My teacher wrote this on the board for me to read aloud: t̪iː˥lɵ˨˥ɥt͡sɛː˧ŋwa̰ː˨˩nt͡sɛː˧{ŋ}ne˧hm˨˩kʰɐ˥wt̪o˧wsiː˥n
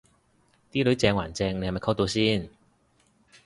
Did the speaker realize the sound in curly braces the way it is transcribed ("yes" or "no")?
yes